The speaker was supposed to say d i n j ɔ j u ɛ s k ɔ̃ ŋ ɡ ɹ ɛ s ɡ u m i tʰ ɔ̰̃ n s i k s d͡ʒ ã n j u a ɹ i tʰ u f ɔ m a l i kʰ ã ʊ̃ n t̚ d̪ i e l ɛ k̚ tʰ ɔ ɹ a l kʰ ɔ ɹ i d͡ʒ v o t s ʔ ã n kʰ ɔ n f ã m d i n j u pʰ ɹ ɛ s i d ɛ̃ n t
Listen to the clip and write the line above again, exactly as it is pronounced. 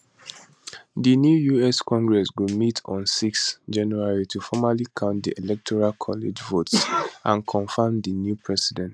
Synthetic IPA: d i n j u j u ɛ s k ɔ̃ ŋ ɡ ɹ ɛ s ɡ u m i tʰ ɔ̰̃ n s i k s d͡ʒ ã n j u a ɹ i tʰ u f ɔ m a l i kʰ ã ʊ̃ n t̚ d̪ i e l ɛ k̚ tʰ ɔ ɹ a l kʰ ɔ l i d͡ʒ v o t s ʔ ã n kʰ ɔ̃ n f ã m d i n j u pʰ ɹ ɛ s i d ɛ̃ n t